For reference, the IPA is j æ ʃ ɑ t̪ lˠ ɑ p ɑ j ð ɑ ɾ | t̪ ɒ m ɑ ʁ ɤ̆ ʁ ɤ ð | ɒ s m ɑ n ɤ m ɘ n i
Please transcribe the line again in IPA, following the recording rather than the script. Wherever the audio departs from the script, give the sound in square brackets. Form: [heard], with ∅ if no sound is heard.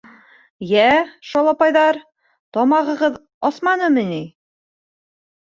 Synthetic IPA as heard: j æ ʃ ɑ [∅] lˠ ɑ p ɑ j ð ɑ ɾ | t̪ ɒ m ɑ ʁ ɤ̆ ʁ ɤ ð | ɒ s m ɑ n ɤ m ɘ n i